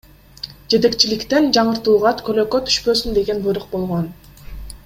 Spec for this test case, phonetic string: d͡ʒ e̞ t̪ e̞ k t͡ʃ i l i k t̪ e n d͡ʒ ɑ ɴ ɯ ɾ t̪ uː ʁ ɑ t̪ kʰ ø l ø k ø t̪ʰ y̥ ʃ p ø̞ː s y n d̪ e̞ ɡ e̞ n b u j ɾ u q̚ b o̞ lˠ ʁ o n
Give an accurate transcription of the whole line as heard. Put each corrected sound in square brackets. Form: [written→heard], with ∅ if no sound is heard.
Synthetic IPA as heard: d͡ʒ e̞ t̪ e̞ k t͡ʃ i l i k t̪ e n d͡ʒ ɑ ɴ ɯ ɾ t̪ uː ʁ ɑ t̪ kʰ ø l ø k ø t̪ʰ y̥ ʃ p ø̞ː s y n d̪ e̞ ɡ e̞ n b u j ɾ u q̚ b o̞ lˠ ʁ o n